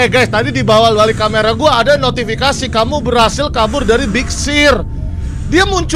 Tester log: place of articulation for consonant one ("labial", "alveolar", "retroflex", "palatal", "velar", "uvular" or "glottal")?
velar